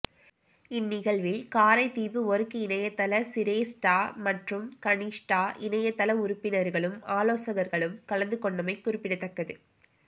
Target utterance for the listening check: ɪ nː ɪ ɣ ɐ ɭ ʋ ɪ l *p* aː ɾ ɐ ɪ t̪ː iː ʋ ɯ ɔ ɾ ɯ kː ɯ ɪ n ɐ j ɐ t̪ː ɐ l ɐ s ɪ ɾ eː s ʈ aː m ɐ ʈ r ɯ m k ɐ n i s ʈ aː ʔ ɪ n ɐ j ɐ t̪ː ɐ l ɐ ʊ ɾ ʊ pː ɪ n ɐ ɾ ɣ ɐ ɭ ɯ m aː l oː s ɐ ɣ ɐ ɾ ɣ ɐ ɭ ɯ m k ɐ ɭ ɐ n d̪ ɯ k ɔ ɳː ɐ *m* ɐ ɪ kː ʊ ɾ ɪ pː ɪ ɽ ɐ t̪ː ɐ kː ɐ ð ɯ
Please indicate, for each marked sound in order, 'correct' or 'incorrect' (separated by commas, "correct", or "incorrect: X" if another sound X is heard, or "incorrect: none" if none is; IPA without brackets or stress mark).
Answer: incorrect: k, correct